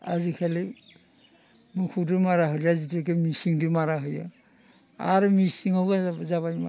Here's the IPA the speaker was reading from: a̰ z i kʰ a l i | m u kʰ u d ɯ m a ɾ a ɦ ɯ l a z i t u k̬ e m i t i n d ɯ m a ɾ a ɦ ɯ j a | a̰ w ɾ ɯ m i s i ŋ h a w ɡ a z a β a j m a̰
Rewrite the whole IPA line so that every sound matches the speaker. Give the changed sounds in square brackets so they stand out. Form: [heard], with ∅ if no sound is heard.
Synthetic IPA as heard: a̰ z i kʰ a l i | m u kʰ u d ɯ m a ɾ a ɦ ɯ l a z i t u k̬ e m i [s] i [ŋ] d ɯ m a ɾ a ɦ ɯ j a | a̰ [∅] ɾ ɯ m i s i ŋ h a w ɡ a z a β a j m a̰